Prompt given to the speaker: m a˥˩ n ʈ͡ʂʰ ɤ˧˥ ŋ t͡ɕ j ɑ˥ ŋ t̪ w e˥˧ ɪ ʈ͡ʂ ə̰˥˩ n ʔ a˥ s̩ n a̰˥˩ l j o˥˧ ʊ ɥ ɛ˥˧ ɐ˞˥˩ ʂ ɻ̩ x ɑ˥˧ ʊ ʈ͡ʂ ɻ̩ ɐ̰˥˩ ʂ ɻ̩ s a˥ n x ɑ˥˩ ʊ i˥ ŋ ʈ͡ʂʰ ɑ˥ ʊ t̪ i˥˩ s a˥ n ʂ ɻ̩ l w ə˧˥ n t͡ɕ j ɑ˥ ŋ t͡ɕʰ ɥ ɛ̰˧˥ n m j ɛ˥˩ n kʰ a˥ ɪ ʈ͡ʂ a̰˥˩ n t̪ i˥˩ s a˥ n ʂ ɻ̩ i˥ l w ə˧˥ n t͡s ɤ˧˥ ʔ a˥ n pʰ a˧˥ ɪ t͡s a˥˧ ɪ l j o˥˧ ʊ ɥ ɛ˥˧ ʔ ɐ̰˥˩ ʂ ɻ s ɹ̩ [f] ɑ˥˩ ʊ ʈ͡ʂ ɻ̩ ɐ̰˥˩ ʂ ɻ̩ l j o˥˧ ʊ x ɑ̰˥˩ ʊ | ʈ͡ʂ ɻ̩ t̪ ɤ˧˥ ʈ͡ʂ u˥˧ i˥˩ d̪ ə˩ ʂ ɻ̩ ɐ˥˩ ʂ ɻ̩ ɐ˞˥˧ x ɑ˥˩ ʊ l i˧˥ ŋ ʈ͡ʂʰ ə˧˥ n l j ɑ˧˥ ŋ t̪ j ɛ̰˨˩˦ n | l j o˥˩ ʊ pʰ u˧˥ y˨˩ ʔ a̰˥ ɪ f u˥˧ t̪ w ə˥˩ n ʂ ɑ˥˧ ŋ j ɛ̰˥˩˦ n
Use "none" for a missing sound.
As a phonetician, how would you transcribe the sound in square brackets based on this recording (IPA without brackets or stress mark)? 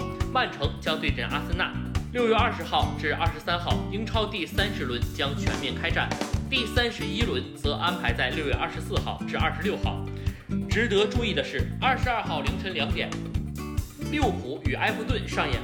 x